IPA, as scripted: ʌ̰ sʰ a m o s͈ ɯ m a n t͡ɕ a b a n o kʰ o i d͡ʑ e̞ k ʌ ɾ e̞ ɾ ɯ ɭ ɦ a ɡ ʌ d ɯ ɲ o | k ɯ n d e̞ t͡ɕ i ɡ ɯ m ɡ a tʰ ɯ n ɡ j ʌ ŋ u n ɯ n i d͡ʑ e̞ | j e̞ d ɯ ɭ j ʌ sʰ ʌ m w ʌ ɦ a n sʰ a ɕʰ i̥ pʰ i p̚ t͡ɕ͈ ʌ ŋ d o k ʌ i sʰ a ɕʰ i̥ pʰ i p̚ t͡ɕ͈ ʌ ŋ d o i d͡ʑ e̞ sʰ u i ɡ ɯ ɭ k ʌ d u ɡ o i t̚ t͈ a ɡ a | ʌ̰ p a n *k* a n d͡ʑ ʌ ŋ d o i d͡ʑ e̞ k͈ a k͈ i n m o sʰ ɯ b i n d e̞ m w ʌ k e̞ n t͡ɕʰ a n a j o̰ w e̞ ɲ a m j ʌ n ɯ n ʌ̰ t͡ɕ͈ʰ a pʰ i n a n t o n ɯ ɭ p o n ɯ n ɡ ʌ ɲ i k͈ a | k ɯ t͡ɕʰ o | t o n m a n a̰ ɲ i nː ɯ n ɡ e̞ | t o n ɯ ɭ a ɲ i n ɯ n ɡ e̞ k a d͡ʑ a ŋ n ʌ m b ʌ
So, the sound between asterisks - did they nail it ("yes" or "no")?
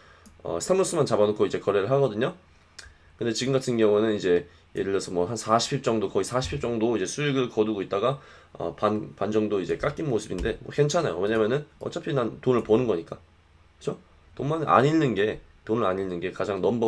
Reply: no